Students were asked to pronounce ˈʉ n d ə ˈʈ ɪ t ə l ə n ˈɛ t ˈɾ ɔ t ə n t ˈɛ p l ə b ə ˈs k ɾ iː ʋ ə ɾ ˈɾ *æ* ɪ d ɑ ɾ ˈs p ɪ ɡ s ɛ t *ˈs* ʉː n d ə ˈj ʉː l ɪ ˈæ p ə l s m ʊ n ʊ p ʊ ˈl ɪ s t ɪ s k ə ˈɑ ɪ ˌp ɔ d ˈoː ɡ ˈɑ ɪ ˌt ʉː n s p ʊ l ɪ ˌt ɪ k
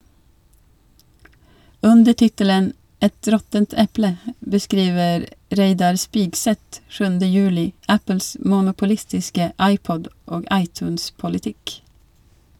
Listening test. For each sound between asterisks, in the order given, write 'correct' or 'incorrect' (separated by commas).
incorrect, incorrect